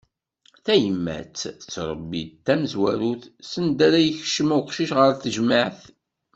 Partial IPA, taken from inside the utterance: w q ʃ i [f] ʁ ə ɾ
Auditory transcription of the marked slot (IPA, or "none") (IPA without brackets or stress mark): ʃ